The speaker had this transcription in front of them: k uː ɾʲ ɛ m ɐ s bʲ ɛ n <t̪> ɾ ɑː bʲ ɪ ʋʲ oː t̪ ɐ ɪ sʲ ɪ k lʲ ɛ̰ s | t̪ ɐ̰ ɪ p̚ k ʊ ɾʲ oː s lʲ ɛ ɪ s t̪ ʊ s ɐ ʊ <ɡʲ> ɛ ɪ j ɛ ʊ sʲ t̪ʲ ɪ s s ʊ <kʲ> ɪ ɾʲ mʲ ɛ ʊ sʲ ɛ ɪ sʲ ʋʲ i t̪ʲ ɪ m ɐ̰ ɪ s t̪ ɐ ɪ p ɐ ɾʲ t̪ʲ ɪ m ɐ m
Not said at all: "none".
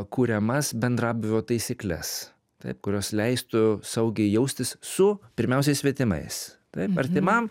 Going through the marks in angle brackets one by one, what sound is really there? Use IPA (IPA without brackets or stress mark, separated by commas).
d̪, ɡʲ, pʲ